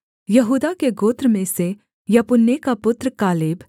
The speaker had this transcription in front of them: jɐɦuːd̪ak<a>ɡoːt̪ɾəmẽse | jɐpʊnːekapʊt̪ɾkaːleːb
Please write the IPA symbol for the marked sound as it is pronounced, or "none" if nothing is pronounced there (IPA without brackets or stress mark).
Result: e